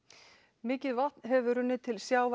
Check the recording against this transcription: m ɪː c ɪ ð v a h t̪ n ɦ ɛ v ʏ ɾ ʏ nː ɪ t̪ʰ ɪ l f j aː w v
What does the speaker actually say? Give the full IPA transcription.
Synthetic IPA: m ɪː c ɪ ð v a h t̪ n ɦ ɛ v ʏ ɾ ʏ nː ɪ t̪ʰ ɪ l s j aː w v